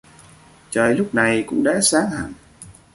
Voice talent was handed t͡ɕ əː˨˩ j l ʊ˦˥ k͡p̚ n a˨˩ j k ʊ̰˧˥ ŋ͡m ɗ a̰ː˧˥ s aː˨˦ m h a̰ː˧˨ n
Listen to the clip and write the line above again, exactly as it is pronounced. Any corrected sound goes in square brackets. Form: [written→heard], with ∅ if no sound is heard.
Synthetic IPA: t͡ɕ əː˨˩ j l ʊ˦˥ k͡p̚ n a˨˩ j k ʊ̰˧˥ ŋ͡m ɗ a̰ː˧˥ s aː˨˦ [m→ŋ] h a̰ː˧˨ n